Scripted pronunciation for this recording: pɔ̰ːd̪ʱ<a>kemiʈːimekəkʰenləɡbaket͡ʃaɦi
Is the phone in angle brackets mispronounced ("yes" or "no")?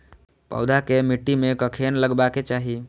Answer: no